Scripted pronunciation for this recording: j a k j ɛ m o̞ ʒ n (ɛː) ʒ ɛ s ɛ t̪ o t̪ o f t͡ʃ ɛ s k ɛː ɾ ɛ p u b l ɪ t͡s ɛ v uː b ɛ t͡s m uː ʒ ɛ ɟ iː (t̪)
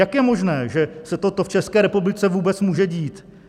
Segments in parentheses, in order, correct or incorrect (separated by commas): correct, correct